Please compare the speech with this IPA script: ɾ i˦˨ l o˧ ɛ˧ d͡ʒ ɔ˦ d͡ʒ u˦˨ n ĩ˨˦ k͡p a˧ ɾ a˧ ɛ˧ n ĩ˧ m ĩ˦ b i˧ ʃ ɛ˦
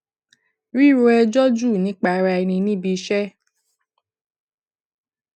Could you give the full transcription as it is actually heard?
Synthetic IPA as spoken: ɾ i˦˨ ɾ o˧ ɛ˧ d͡ʒ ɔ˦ d͡ʒ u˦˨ n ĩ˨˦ k͡p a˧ ɾ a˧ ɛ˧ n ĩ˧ n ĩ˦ b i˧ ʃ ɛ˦